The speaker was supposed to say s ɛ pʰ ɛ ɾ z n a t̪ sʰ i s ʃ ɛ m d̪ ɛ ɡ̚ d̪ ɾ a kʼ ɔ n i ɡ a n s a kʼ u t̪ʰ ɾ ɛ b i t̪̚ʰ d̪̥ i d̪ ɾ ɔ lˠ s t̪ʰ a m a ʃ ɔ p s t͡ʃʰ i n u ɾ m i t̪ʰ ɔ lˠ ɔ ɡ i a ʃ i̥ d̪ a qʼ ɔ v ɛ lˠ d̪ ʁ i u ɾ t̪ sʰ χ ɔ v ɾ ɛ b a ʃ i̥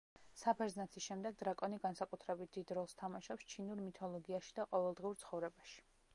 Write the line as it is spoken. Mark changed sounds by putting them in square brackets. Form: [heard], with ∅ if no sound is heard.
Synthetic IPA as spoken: s [a] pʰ ɛ ɾ z n a t̪ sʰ i s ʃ ɛ m d̪ ɛ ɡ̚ d̪ ɾ a kʼ ɔ n i ɡ a n s a kʼ u t̪ʰ ɾ ɛ b i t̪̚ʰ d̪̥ i d̪ ɾ ɔ lˠ s t̪ʰ a m a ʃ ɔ p s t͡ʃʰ i n u ɾ m i t̪ʰ ɔ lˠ ɔ ɡ i a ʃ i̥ d̪ a qʼ ɔ v ɛ lˠ d̪ ʁ i u ɾ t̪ sʰ χ ɔ v ɾ ɛ b a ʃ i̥